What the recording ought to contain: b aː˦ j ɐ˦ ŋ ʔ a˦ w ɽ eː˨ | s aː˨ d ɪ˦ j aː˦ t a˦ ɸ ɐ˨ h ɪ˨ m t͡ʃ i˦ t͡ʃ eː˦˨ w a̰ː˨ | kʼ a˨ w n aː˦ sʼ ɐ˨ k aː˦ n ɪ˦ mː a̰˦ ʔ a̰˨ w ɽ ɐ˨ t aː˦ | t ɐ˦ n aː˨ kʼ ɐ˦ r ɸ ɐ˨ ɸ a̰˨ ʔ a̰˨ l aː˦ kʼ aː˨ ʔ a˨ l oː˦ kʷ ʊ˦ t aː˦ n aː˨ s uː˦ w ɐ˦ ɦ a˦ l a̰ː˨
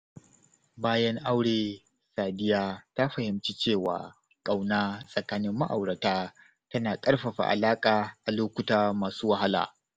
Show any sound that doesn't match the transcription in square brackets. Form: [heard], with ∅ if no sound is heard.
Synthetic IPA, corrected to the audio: b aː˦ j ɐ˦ ŋ ʔ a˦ w ɽ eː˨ | s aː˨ d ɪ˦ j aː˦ t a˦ ɸ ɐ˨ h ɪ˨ m t͡ʃ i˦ t͡ʃ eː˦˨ w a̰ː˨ | kʼ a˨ w n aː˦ sʼ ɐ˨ k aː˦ n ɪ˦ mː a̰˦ ʔ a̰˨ w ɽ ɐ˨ t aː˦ | t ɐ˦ n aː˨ kʼ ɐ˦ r ɸ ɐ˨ ɸ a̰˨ ʔ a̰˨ l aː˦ kʼ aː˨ ʔ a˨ l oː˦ kʷ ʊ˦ t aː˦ [m] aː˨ s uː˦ w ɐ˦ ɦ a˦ l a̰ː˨